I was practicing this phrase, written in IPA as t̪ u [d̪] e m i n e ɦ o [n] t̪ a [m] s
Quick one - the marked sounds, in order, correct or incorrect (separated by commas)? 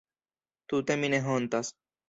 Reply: incorrect, correct, incorrect